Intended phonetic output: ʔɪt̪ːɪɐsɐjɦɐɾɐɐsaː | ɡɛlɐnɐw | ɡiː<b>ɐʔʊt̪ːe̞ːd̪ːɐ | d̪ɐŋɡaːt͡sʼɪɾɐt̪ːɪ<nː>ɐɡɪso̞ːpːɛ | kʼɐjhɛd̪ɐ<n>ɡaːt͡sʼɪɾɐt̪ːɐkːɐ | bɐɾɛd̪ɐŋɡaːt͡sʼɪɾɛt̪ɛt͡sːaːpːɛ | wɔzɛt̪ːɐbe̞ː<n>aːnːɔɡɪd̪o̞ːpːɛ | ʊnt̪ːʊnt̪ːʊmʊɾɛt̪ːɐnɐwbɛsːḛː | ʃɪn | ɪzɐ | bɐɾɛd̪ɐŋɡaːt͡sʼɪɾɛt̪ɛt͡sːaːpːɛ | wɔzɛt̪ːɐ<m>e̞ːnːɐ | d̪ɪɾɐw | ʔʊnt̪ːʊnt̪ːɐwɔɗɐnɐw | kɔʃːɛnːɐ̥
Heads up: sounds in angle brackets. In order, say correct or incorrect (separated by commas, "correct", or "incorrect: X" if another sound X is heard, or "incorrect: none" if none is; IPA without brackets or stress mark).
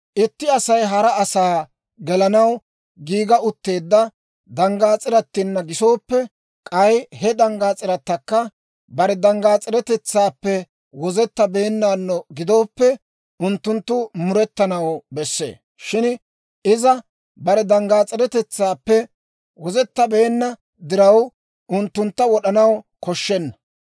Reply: incorrect: ɡ, correct, incorrect: ŋ, incorrect: nː, incorrect: b